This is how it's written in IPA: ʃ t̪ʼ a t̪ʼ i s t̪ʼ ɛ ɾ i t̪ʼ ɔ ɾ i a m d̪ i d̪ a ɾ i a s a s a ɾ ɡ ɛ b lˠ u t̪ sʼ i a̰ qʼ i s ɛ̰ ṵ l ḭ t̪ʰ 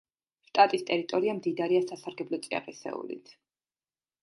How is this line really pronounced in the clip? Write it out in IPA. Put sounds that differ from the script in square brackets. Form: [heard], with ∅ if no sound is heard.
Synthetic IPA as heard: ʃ t̪ʼ a t̪ʼ i s t̪ʼ ɛ ɾ i t̪ʼ ɔ ɾ i a m d̪ i d̪ a ɾ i a s a s a ɾ ɡ ɛ b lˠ [ɔ] t̪ sʼ i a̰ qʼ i s ɛ̰ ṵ l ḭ t̪ʰ